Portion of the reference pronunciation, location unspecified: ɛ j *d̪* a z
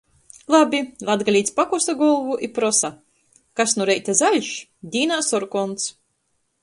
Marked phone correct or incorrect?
incorrect